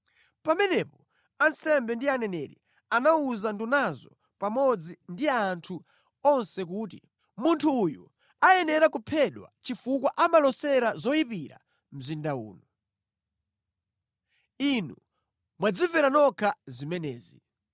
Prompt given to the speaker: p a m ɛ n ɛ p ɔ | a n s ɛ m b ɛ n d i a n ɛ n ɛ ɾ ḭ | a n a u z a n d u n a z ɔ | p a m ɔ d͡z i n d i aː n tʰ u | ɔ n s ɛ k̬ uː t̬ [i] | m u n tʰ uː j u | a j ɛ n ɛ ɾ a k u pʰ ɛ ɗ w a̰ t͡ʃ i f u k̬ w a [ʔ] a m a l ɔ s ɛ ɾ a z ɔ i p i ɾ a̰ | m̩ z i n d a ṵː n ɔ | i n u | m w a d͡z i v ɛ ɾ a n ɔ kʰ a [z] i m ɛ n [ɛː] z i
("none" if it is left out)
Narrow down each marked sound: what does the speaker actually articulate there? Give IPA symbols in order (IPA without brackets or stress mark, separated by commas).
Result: i, ʔ, z, ɛː